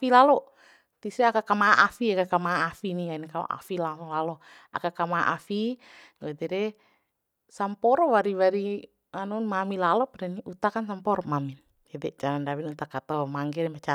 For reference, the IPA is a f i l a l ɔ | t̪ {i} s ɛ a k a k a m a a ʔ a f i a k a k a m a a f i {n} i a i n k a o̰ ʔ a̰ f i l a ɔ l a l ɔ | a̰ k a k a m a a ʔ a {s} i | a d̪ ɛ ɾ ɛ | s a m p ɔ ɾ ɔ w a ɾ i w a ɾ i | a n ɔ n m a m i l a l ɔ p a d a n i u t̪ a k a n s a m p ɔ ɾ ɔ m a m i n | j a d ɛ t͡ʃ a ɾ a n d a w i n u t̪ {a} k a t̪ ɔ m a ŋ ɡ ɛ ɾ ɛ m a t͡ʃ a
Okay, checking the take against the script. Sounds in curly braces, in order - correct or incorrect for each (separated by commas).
correct, correct, incorrect, correct